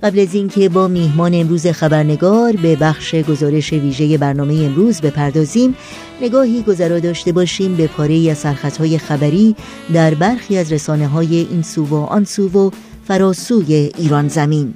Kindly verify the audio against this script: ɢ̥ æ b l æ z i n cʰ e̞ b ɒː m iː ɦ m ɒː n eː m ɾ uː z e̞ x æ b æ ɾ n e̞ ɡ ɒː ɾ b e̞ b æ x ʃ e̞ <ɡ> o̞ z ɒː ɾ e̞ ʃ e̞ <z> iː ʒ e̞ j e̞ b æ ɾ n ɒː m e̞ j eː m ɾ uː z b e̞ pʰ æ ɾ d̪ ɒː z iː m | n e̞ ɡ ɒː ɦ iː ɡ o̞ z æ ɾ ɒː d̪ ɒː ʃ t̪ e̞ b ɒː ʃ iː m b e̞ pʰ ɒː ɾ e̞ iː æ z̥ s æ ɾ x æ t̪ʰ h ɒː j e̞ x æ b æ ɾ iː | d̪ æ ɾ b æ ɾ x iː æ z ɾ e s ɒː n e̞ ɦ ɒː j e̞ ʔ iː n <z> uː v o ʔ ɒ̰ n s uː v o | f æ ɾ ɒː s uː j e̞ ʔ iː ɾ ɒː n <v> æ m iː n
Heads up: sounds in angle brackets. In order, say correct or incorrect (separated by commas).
correct, incorrect, incorrect, incorrect